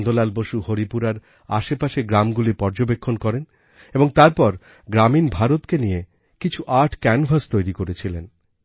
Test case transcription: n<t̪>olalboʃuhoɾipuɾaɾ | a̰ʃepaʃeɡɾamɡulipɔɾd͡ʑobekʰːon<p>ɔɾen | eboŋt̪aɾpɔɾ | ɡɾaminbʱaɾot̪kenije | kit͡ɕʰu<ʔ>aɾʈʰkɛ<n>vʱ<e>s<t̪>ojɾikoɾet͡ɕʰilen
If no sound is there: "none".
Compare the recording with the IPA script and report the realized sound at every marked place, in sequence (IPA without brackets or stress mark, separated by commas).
d̪, k, ʔ, n, a, t̪